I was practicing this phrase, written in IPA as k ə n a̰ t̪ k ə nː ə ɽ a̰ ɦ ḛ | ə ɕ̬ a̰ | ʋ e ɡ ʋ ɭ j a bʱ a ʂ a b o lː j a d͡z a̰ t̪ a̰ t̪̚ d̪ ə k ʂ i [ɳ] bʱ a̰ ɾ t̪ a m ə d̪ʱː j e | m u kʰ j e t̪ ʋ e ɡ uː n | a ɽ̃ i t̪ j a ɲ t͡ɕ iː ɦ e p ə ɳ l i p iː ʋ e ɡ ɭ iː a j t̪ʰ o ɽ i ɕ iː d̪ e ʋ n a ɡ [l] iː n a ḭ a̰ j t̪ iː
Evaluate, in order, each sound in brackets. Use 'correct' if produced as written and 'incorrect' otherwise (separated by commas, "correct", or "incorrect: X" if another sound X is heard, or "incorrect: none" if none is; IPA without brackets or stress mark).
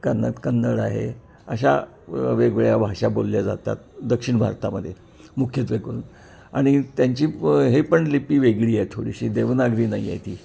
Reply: correct, incorrect: ɾ